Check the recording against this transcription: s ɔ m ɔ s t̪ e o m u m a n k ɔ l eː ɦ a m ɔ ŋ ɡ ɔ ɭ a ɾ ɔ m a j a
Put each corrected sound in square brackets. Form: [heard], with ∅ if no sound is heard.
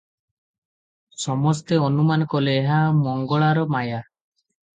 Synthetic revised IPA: s ɔ m ɔ s t̪ e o [n] u m a n k ɔ l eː ɦ a m ɔ ŋ ɡ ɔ ɭ a ɾ ɔ m a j a

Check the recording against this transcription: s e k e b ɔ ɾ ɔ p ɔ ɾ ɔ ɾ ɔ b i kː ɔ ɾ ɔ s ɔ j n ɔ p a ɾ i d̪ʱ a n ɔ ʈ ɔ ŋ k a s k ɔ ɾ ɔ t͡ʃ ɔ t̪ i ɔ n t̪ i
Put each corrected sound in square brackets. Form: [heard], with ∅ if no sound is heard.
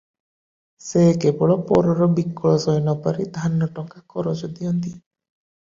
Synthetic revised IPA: s e k e b ɔ [ɭ] ɔ p ɔ ɾ ɔ ɾ ɔ b i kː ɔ [ɭ] ɔ s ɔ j n ɔ p a ɾ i d̪ʱ a n ɔ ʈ ɔ ŋ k a [∅] k ɔ ɾ ɔ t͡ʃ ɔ [d̪] i ɔ n t̪ i

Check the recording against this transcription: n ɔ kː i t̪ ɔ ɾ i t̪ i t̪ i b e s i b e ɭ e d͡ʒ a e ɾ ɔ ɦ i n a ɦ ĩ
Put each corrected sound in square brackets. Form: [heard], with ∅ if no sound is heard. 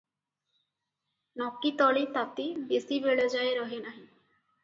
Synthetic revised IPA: n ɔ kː i t̪ ɔ [ɭ] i t̪ [a] t̪ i b e s i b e ɭ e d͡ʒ a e ɾ ɔ ɦ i n a ɦ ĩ

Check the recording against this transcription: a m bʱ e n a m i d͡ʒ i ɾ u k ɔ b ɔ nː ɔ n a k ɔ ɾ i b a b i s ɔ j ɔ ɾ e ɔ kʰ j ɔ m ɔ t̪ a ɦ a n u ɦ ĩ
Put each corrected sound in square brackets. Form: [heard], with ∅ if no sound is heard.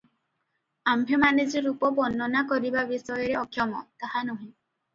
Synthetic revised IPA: a m bʱ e [m] a [n] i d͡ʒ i ɾ u [p] ɔ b ɔ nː ɔ n a k ɔ ɾ i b a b i s ɔ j ɔ ɾ e ɔ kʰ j ɔ m ɔ t̪ a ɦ a n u ɦ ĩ

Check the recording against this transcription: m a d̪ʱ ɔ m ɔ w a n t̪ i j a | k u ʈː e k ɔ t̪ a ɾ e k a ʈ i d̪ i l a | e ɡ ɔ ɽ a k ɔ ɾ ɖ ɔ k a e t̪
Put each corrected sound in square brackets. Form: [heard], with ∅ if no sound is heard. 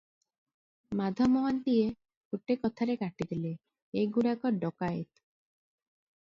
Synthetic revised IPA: m a d̪ʱ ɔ m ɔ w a n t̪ i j [e] | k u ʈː e k ɔ [t̪ʰ] a ɾ e k a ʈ i d̪ i l [e] | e ɡ [u] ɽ a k ɔ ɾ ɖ ɔ k a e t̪

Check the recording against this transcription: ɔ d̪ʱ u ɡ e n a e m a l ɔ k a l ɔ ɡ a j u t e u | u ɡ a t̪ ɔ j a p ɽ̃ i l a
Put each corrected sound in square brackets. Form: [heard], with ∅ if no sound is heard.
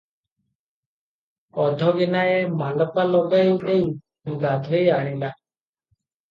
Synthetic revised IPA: ɔ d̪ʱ [ɔ] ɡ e n a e m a l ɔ [p] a l ɔ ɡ a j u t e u | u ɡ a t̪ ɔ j a [∅] ɽ̃ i l a

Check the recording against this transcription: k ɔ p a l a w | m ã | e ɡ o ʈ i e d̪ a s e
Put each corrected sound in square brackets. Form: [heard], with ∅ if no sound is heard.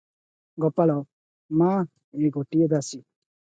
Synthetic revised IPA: [ɡ] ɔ p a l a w | m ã | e ɡ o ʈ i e d̪ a s [i]

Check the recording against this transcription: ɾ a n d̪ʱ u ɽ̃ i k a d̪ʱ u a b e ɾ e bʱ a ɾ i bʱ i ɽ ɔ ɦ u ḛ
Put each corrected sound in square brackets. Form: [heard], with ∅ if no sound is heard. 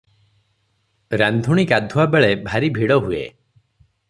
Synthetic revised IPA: ɾ a n d̪ʱ u ɽ̃ i k a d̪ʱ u a b e [ɭ] e bʱ a ɾ i bʱ i ɽ ɔ ɦ u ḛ

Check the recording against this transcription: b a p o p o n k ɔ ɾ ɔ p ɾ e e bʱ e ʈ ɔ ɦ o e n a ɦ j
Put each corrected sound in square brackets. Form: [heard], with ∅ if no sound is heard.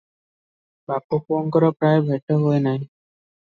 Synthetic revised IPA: b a p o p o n k ɔ ɾ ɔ p ɾ [a] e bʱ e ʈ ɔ ɦ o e n a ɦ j

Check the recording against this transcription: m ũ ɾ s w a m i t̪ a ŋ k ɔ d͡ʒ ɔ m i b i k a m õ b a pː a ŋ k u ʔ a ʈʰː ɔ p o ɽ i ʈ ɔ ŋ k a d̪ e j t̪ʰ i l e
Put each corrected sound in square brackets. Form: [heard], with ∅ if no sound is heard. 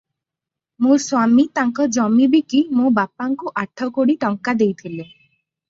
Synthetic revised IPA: m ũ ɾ s w a m i t̪ a ŋ k ɔ d͡ʒ ɔ m i b i k [i] m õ b a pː a ŋ k u ʔ a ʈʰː ɔ [k] o ɽ i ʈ ɔ ŋ k a d̪ e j t̪ʰ i l e

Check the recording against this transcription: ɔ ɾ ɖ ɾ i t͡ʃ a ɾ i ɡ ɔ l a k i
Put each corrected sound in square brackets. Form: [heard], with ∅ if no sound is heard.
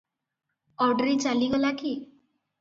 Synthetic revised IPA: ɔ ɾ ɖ ɾ i t͡ʃ a [l] i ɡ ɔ l a k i

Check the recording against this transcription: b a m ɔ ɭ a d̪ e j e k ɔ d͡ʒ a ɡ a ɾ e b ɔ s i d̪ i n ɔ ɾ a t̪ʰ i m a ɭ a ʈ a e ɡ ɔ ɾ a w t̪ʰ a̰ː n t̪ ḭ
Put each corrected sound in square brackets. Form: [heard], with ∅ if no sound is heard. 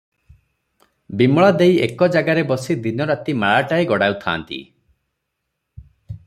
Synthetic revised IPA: b [i] m ɔ ɭ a d̪ e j e k ɔ d͡ʒ a ɡ a ɾ e b ɔ s i d̪ i n ɔ ɾ a [t̪] i m a ɭ a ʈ a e ɡ ɔ [ɽ] a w t̪ʰ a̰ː n t̪ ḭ

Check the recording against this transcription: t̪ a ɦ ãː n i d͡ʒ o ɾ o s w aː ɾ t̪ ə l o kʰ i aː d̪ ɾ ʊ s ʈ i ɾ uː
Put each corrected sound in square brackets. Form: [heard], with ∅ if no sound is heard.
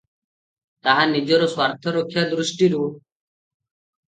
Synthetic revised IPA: t̪ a ɦ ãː n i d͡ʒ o ɾ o s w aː ɾ [t̪ʰ] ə [ɾ] o kʰ [j] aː d̪ ɾ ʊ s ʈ i ɾ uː

